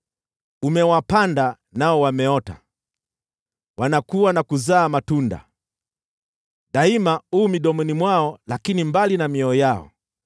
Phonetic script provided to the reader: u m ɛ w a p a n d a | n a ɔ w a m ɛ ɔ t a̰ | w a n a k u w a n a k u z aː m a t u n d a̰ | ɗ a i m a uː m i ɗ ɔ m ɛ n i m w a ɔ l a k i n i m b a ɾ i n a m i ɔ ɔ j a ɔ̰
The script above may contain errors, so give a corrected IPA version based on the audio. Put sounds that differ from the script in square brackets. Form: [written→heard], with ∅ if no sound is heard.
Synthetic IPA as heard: u m ɛ w a p a n d a | n a ɔ w a m ɛ ɔ t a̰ | w a n a k u w a n a k u z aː m a t u n d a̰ | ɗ a i m a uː m i ɗ ɔ m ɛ n i m w a ɔ l a k i n i m b a [ɾ→l] i n a m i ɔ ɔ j a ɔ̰